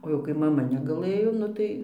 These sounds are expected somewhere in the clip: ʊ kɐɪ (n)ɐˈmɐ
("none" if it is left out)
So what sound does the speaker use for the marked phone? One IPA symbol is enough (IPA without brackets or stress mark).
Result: m